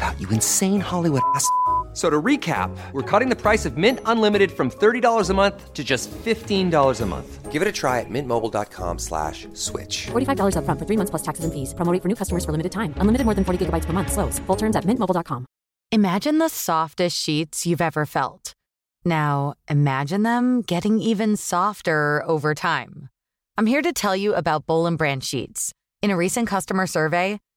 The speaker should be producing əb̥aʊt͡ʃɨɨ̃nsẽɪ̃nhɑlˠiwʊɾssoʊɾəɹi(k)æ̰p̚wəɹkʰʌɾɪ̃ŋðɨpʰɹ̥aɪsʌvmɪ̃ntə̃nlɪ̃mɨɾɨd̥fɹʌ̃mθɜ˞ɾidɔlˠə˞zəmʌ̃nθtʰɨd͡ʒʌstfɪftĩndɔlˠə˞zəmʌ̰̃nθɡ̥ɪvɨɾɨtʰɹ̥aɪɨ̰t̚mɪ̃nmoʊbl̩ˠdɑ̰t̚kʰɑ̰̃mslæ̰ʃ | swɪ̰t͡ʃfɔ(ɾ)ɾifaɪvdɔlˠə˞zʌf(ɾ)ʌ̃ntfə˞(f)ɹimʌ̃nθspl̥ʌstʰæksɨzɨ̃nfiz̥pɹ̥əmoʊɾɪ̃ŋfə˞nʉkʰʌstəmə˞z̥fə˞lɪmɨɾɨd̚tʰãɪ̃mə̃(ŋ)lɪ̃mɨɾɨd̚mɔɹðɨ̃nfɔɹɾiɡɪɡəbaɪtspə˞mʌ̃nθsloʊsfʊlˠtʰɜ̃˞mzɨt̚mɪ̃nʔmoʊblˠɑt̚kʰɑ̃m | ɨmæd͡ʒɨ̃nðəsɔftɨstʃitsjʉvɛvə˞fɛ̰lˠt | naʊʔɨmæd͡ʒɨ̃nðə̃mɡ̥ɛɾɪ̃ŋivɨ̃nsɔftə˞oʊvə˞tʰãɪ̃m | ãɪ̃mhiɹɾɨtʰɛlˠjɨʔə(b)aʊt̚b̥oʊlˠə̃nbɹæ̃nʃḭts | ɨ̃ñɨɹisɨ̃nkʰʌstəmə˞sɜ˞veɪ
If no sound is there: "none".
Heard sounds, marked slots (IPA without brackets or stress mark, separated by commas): kʰ, ɹ, ɹ, θ, n, b